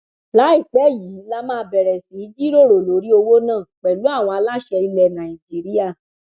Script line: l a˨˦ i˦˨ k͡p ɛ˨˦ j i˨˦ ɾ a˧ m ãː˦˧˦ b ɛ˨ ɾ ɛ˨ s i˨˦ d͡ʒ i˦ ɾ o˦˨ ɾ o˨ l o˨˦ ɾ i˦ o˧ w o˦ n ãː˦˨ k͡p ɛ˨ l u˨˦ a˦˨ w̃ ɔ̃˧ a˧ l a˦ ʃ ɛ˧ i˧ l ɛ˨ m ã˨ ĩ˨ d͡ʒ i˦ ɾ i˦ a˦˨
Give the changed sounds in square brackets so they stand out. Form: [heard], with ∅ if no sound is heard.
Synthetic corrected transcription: l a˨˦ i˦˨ k͡p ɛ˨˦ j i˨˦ [l] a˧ m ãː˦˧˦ b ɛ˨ ɾ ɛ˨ s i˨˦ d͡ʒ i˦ ɾ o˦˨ ɾ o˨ l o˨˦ ɾ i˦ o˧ w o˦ n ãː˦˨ k͡p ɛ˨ l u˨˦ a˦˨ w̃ ɔ̃˧ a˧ l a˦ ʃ ɛ˧ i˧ l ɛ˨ [n] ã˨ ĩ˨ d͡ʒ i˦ ɾ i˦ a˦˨

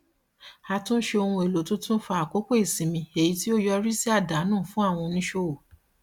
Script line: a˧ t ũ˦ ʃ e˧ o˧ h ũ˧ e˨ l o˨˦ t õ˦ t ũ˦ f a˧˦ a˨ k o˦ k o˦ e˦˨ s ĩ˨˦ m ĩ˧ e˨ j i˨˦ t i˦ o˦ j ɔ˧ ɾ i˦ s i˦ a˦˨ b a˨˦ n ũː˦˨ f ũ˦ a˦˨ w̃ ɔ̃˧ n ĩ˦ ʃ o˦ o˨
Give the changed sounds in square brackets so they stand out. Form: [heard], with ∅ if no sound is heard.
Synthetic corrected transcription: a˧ t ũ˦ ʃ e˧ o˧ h ũ˧ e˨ l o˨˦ t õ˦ t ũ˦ f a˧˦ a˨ k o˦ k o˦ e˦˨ s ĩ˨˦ m ĩ˧ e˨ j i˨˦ t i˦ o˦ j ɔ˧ ɾ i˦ s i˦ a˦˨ [d] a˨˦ n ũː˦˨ f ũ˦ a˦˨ w̃ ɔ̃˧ n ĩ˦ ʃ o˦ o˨

